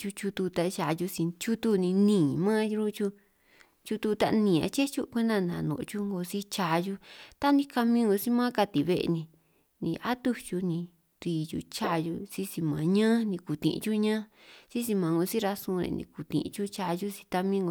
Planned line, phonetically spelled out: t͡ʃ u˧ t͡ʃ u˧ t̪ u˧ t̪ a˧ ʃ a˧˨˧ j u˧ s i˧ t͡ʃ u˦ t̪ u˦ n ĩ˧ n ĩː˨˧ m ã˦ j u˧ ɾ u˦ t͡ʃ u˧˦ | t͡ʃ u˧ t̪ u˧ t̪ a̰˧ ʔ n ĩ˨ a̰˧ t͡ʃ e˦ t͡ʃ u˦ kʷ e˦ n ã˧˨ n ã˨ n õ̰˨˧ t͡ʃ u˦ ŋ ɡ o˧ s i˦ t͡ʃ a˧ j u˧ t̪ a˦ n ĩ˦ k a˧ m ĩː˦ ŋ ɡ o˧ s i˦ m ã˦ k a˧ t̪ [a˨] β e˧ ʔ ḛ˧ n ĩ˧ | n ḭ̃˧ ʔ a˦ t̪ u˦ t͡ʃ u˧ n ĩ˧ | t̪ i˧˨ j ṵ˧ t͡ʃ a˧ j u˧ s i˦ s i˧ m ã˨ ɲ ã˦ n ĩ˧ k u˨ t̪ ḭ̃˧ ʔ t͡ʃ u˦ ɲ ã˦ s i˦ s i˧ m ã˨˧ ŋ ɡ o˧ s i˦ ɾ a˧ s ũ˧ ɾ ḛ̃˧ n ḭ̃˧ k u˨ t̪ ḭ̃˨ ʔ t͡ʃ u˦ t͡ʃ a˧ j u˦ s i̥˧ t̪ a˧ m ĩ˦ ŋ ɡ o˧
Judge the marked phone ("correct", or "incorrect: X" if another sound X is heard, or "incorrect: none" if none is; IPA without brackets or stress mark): incorrect: i˨